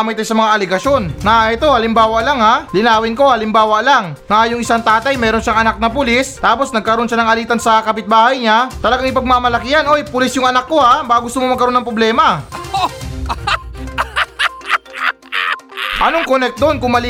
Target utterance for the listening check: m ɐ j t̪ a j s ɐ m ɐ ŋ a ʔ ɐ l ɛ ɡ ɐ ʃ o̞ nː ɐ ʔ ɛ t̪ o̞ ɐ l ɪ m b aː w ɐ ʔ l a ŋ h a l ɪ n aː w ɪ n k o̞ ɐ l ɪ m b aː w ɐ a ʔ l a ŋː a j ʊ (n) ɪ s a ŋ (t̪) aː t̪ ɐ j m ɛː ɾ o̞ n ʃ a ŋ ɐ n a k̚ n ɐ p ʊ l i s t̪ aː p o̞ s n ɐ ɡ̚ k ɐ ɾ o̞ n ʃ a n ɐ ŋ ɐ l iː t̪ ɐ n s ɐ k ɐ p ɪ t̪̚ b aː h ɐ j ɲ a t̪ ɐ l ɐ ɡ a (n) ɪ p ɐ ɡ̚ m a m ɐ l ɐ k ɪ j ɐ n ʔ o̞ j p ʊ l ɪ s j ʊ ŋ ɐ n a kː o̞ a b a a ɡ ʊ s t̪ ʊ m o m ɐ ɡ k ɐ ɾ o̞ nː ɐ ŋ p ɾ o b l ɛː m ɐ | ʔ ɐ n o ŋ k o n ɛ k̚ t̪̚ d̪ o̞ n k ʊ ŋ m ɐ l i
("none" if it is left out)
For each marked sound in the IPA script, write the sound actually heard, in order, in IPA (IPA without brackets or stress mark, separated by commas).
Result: ŋ, t̪, ŋ